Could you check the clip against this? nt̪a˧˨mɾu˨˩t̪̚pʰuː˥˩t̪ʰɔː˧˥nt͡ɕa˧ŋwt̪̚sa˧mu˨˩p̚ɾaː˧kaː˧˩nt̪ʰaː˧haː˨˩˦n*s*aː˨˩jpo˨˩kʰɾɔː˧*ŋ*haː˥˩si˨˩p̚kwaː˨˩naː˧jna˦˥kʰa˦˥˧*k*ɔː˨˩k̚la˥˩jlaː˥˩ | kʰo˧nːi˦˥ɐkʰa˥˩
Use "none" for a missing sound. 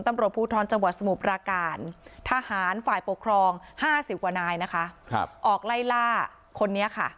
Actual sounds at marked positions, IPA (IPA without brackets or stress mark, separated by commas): f, ŋ, ʔ